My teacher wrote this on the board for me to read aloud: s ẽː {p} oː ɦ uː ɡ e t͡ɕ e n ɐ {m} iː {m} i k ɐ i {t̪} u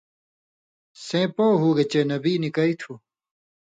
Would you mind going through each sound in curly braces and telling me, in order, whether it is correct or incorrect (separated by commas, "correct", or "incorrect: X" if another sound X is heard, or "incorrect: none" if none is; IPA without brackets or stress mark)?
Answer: correct, incorrect: b, incorrect: n, incorrect: t̪ʰ